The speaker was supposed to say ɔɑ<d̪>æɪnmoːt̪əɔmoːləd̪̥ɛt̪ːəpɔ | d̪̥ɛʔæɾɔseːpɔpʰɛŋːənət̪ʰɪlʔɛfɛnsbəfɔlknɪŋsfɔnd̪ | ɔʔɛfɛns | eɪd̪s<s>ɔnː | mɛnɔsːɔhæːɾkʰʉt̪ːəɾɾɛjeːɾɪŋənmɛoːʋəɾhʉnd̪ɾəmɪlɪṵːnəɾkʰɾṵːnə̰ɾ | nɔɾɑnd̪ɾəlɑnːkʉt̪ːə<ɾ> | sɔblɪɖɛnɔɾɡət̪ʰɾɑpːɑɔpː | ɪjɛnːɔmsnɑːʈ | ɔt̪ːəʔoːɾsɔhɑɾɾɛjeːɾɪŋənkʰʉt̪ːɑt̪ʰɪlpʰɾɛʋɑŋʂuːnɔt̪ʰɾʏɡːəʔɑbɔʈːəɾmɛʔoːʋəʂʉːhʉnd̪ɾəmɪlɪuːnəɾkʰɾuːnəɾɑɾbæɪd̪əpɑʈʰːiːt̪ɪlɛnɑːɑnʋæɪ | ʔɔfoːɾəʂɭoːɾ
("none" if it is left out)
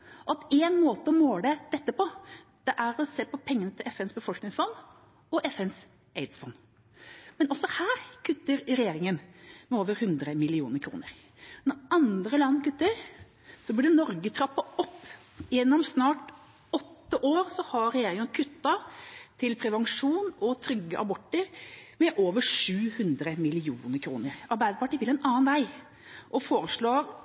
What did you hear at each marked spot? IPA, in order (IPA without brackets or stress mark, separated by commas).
t̪, f, ɾ